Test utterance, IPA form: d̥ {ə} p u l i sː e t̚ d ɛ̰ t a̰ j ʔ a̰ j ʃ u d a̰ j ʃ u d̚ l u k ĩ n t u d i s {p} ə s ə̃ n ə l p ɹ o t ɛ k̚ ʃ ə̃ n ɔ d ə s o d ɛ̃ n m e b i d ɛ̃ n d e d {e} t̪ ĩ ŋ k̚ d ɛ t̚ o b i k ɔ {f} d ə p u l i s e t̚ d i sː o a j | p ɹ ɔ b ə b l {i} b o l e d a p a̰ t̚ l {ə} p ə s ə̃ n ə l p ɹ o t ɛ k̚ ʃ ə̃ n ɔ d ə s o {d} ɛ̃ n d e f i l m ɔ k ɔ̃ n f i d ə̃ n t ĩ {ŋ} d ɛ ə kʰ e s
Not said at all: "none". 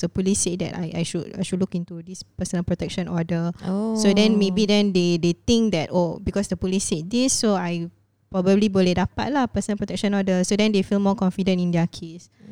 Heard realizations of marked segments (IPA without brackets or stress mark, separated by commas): ə, p, e, s, i, a, d, n